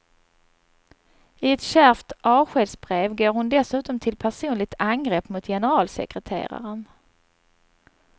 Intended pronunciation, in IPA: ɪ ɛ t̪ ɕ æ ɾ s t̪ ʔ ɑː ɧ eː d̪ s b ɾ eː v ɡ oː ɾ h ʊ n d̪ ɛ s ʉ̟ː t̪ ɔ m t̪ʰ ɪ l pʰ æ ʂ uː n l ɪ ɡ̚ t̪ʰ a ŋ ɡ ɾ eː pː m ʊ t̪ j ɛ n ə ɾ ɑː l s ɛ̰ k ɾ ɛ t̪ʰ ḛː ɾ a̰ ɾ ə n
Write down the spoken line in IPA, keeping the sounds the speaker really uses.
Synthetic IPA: ɪ ɛ t̪ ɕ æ ɾ f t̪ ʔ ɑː ɧ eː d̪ s b ɾ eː v ɡ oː ɾ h ʊ n d̪ ɛ s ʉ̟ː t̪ ɔ m t̪ʰ ɪ l pʰ æ ʂ uː n l ɪ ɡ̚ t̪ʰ a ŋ ɡ ɾ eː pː m ʊ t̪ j ɛ n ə ɾ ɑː l s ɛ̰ k ɾ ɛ t̪ʰ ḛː ɾ a̰ ɾ ə n